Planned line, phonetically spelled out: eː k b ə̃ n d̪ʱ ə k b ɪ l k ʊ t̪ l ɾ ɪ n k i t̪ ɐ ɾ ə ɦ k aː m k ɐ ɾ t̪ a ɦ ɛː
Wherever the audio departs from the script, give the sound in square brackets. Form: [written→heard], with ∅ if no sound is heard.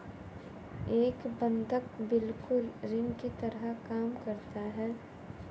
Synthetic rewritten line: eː k b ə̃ n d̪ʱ ə k b ɪ l k ʊ [t̪→∅] l ɾ ɪ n k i t̪ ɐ ɾ ə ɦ k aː m k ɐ ɾ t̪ a ɦ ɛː

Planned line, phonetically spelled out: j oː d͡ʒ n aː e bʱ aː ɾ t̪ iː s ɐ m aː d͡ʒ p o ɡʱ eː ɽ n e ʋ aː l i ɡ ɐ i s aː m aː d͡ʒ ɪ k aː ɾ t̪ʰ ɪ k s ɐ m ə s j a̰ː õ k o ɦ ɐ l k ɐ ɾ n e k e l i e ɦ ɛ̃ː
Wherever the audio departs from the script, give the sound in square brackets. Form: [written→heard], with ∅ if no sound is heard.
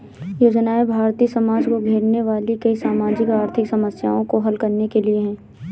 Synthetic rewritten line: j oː d͡ʒ n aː e bʱ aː ɾ t̪ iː s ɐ m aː d͡ʒ [p→k] o ɡʱ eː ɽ n e ʋ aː l i [ɡ→k] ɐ i s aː m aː d͡ʒ ɪ k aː ɾ t̪ʰ ɪ k s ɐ m ə s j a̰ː õ k o ɦ ɐ l k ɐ ɾ n e k e l i e ɦ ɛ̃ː

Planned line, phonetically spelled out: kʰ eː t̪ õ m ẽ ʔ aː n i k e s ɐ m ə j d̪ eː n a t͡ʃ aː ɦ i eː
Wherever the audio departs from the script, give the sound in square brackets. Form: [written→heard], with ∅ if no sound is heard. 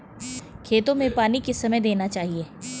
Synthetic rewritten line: kʰ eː t̪ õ m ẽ [ʔ→p] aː n i k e s ɐ m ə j d̪ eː n a t͡ʃ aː ɦ i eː

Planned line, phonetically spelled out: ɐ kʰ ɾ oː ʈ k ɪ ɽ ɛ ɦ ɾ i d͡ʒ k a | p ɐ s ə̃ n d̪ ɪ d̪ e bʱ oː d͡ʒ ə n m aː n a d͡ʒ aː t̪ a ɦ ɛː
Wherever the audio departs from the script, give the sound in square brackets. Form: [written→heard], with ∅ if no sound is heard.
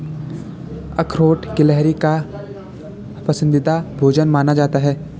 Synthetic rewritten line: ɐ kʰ ɾ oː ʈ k ɪ [ɽ→l] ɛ ɦ ɾ i [d͡ʒ→∅] k a | p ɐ s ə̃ n d̪ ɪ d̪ [e→a] bʱ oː d͡ʒ ə n m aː n a d͡ʒ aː t̪ a ɦ ɛː

